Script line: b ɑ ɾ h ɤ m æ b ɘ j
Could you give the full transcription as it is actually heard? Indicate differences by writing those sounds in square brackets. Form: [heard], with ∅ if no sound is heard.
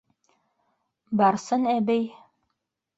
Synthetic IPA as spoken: b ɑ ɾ [s] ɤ [n] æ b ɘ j